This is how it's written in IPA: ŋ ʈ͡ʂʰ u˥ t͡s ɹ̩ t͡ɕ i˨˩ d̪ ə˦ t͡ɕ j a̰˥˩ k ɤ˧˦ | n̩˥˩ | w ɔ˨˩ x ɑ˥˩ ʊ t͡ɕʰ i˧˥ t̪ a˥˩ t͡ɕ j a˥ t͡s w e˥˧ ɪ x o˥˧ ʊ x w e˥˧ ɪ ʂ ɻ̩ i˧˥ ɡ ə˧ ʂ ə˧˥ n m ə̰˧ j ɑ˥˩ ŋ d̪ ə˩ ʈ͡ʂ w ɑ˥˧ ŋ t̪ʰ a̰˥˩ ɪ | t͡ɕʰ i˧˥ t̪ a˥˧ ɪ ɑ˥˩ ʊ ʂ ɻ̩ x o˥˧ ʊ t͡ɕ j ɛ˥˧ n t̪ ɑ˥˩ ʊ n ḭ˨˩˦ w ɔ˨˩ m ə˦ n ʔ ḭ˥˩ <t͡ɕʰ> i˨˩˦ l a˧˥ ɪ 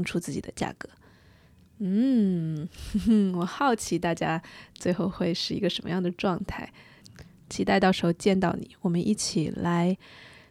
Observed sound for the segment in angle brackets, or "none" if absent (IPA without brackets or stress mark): t͡ɕʰ